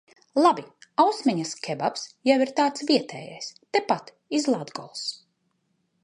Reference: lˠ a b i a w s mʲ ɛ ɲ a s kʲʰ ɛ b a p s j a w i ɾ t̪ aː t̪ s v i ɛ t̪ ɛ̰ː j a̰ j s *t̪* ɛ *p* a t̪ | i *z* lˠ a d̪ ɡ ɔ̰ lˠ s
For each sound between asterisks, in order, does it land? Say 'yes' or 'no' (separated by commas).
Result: yes, yes, yes